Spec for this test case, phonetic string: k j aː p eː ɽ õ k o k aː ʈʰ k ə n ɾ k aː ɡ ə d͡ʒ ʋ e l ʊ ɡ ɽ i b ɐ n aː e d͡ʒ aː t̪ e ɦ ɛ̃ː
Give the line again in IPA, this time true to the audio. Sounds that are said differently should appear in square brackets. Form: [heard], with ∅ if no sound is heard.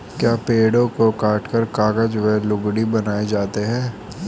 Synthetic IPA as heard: k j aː p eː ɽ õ k o k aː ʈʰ k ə [∅] ɾ k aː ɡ ə d͡ʒ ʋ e l ʊ ɡ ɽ i b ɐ n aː e d͡ʒ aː t̪ e ɦ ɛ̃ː